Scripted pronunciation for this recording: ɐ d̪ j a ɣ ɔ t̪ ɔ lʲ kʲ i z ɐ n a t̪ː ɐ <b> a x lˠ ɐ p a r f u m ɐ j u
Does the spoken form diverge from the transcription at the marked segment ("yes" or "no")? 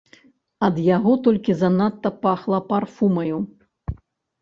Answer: yes